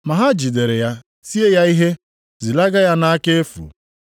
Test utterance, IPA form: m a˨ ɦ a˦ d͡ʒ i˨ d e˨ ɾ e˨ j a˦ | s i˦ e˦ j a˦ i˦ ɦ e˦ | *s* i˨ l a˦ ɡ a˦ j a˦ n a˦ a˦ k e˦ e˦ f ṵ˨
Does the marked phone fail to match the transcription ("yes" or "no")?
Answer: yes